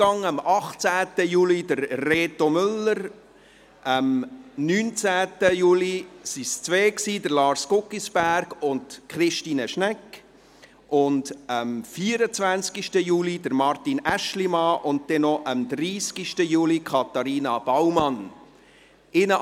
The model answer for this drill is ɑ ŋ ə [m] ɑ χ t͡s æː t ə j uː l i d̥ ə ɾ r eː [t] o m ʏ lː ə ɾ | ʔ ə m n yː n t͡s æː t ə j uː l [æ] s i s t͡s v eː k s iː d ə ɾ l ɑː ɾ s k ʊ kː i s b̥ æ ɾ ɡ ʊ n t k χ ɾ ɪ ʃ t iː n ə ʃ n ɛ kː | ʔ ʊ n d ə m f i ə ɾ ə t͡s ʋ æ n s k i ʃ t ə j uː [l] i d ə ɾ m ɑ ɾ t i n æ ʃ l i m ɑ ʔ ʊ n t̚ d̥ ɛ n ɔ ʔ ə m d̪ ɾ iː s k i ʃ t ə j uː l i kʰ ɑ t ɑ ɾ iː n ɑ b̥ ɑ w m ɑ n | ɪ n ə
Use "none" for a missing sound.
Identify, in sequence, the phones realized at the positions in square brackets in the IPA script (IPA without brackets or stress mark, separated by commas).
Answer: m, t, i, l